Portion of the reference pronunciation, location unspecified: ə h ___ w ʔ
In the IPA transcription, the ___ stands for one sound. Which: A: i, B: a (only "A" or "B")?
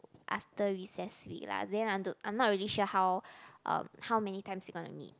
B